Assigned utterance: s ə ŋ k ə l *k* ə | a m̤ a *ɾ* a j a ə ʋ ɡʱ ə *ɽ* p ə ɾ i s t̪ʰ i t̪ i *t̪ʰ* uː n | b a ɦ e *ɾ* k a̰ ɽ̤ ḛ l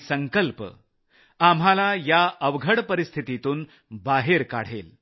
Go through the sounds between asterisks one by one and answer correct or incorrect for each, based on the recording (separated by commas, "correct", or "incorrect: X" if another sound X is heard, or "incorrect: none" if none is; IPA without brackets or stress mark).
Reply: incorrect: p, incorrect: l, correct, incorrect: t̪, correct